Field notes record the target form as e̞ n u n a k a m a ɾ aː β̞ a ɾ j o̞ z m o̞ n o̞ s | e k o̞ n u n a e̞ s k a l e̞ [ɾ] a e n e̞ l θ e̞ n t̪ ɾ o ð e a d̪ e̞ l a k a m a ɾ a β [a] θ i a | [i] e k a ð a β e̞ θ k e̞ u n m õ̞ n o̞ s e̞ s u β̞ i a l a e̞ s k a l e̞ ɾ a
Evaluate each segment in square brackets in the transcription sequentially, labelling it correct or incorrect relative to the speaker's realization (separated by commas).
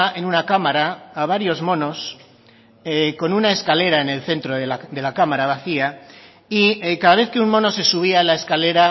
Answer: correct, correct, correct